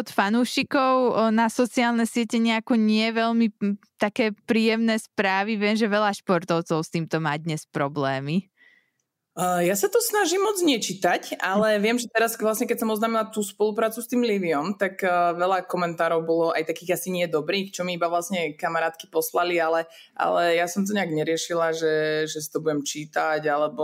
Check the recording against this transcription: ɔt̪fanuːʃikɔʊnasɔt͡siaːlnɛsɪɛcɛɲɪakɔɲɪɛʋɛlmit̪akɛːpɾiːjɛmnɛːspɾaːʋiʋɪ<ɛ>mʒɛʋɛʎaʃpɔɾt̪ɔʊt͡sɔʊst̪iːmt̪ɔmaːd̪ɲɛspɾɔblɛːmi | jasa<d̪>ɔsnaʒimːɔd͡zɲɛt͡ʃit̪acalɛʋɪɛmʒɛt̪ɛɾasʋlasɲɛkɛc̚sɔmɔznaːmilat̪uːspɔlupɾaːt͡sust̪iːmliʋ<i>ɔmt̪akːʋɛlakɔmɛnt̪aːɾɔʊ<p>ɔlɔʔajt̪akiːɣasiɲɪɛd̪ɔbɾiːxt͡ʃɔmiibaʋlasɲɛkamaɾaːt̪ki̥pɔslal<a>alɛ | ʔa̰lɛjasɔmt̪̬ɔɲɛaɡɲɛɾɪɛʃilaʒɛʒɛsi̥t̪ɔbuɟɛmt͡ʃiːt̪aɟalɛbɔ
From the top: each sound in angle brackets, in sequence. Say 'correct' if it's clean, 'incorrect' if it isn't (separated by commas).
correct, incorrect, correct, incorrect, incorrect